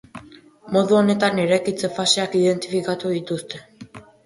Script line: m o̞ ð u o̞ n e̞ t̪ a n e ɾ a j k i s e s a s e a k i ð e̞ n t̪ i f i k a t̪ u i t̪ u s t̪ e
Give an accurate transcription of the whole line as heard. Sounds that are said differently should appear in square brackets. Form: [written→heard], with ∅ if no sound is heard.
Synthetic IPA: m o̞ ð u o̞ n e̞ t̪ a n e ɾ a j k i [s→t͡s] e [s→f] a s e a k i ð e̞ n t̪ i f i k a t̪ u i t̪ u s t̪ e